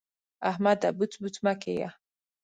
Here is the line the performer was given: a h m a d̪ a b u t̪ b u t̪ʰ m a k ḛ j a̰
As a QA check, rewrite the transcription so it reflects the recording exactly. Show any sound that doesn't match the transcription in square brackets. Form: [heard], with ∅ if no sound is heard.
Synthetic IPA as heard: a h m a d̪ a b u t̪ b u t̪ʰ m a k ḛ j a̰